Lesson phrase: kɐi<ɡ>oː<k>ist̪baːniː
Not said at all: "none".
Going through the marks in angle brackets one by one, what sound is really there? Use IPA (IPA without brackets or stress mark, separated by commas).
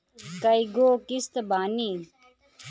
ɡ, k